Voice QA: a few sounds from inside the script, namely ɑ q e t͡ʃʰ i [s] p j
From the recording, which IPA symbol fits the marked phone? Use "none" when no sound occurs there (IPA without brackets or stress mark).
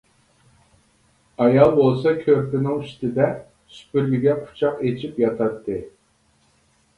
none